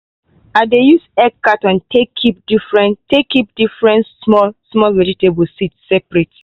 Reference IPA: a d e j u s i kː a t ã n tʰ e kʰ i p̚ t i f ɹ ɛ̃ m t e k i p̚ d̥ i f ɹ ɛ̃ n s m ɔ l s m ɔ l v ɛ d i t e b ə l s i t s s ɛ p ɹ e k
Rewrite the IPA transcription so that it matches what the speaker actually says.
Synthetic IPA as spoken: a d e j u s ɛ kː a t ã n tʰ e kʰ i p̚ d i f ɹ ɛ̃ n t e k i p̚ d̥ i f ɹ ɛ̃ n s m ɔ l s m ɔ l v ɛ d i t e b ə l s i t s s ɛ p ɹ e t